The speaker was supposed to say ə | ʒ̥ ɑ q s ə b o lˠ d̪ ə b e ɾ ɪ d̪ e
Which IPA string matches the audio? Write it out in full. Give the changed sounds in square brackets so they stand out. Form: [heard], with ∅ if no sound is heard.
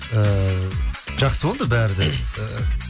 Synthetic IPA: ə | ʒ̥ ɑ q s ə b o lˠ d̪ ə b [æ] ɾ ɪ d̪ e